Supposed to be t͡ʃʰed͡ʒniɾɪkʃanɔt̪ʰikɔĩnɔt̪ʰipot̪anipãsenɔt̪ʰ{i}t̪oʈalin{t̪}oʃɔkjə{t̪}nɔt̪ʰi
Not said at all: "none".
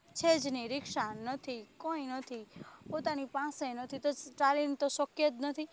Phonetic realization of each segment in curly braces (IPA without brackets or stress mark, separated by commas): i, t̪, t̪